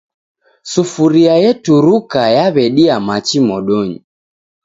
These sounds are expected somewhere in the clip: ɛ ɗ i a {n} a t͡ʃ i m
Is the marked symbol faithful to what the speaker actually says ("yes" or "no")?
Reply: no